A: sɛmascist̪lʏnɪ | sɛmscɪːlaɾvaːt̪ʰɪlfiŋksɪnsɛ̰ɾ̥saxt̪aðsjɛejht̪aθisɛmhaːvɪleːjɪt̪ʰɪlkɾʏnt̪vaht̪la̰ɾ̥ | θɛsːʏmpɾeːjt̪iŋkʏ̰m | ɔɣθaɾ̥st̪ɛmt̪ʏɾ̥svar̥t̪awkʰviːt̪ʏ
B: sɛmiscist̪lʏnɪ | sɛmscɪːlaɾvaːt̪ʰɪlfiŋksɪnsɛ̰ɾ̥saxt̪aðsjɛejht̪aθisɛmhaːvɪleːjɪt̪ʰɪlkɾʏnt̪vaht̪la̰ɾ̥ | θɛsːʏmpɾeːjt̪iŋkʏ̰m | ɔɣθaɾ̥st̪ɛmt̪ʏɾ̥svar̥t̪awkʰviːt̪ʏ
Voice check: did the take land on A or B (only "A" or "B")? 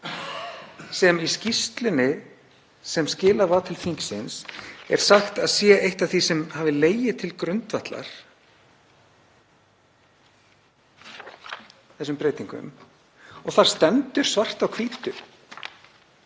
B